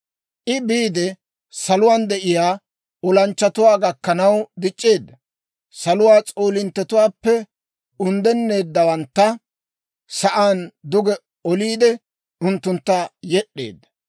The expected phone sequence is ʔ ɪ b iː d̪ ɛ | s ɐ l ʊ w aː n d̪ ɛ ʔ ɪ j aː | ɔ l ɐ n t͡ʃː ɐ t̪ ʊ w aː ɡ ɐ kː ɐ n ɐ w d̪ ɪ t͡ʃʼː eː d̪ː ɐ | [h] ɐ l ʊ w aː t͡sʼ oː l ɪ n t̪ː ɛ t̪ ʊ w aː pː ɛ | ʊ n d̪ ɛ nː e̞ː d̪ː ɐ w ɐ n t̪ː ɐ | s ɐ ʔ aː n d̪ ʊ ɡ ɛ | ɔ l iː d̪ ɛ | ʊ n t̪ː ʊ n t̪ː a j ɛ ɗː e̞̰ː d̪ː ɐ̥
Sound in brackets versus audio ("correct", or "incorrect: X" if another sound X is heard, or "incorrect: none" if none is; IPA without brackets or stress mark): incorrect: s